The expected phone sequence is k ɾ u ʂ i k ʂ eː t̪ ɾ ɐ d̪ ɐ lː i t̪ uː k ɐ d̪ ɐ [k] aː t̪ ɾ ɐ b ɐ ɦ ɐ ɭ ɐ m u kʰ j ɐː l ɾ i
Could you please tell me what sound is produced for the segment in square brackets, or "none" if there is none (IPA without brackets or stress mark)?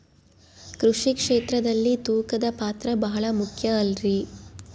p